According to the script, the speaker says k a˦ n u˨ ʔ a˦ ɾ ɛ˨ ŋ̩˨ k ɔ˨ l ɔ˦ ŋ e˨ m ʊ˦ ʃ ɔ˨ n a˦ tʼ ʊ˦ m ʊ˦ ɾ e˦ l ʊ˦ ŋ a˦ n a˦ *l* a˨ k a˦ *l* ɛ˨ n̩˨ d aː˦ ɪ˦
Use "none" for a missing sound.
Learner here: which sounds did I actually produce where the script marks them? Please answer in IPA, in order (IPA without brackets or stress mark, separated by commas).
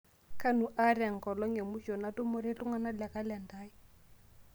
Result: l, l